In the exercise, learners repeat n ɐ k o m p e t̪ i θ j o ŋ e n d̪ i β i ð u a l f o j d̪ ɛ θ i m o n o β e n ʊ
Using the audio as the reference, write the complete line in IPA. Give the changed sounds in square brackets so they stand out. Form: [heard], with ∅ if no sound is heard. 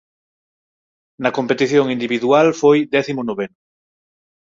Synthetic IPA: n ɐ k o m p e t̪ i θ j o ŋ [i] n d̪ i β i ð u a l f o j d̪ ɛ θ i m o n o β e n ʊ